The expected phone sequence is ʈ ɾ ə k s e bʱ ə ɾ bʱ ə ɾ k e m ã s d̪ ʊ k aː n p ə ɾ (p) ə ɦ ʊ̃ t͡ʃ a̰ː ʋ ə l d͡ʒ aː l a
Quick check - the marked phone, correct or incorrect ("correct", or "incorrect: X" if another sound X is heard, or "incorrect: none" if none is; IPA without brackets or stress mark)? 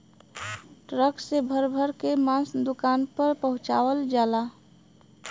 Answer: correct